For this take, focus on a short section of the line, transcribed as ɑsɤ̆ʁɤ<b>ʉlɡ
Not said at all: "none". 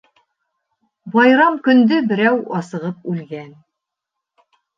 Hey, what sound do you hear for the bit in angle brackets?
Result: p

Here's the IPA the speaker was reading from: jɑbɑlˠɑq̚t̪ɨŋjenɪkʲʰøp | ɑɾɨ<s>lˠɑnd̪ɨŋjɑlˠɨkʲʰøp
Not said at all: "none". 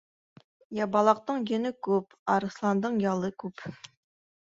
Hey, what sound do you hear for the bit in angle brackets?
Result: s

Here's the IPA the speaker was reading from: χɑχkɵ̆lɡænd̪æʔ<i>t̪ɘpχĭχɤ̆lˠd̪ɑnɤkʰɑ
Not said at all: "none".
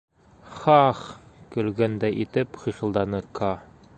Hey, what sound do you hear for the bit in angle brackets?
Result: i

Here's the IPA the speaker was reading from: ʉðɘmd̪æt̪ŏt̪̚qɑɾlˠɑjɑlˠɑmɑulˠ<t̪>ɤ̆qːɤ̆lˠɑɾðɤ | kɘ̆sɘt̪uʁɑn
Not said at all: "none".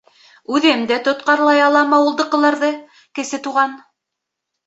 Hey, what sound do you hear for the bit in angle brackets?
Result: d̪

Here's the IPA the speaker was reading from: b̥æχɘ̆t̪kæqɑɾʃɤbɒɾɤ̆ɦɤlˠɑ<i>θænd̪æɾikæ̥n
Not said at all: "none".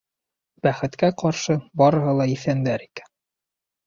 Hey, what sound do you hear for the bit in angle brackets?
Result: i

